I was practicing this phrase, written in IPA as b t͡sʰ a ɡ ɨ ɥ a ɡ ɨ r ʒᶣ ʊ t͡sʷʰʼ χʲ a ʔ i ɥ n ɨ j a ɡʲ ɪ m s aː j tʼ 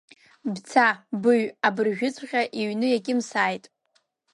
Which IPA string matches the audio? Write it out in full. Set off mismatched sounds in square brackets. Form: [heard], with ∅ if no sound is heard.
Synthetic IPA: b t͡sʰ a [b] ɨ ɥ a [b] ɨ r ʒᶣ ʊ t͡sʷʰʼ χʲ a ʔ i ɥ n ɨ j a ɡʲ ɪ m s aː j tʼ